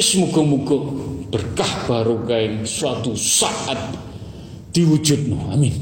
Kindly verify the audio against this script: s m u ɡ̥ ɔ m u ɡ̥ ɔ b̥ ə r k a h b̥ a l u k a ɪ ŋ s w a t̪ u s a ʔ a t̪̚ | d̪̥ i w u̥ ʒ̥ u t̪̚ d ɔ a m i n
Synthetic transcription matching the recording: s m u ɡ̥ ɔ m u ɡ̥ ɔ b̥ ə r k a h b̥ a ɾ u k a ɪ ŋ s w a t̪ u s a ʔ a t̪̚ | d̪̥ i w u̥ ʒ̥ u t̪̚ n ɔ a m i n